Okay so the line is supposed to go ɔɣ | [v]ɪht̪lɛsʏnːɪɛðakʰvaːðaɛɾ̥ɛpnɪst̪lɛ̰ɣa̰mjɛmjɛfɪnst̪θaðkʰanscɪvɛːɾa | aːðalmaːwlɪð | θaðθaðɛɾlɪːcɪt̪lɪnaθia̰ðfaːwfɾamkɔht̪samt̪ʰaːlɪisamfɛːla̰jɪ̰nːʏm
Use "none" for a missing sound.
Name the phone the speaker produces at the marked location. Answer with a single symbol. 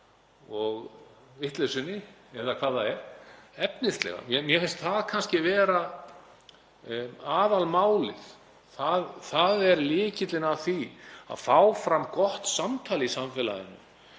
v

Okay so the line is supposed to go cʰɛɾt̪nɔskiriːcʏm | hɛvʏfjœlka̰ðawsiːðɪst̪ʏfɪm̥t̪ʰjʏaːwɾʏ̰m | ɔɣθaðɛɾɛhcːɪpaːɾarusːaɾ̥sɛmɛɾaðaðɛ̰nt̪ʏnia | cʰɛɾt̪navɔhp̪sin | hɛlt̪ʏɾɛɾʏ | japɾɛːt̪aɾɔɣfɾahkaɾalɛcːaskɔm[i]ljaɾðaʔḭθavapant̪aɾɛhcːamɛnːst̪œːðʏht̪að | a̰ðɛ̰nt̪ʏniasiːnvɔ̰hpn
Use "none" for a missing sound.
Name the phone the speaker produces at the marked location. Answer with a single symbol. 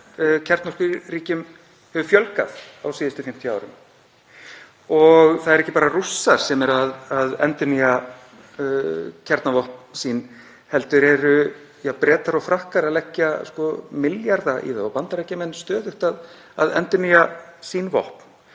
ɪ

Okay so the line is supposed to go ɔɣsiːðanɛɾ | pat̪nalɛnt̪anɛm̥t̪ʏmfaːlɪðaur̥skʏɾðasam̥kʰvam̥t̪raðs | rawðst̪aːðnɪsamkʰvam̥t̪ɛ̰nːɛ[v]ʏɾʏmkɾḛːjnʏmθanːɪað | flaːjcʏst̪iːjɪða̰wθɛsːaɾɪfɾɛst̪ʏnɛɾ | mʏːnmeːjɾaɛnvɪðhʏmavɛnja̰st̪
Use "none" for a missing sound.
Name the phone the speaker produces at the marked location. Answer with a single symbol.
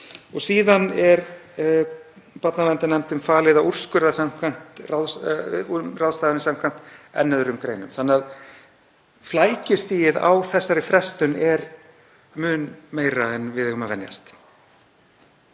ð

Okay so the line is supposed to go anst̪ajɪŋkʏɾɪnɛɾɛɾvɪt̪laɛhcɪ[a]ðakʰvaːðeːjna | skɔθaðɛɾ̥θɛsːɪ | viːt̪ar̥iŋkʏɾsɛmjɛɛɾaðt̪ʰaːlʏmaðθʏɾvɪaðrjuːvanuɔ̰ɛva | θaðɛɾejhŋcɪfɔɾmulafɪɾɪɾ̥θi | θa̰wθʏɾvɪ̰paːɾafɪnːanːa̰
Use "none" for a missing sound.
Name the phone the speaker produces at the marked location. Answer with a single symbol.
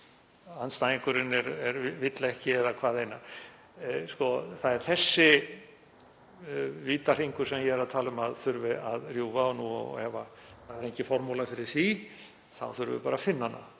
ɛ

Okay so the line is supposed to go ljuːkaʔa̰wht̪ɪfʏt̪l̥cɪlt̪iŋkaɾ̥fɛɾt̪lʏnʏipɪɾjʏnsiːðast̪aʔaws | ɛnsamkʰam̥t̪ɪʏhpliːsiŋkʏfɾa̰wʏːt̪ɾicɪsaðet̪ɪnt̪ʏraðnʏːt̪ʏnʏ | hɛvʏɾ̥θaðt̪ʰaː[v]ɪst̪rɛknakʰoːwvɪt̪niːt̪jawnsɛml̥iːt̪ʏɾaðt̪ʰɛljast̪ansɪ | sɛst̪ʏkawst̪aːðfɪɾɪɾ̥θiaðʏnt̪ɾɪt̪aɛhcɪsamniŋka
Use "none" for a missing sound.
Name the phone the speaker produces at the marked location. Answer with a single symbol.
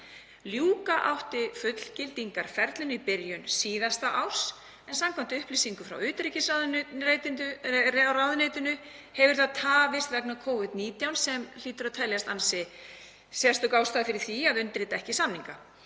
v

